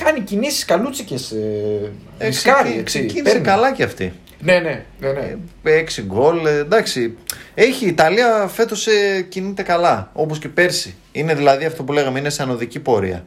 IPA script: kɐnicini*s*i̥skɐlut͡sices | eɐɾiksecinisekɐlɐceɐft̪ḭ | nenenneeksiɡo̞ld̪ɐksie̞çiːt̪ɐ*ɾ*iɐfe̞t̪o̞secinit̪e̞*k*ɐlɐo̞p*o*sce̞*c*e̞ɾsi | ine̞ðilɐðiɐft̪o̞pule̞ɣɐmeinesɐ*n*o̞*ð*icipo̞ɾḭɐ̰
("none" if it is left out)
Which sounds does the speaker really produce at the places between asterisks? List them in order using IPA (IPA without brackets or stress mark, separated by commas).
s, l, k, o, p, n, ð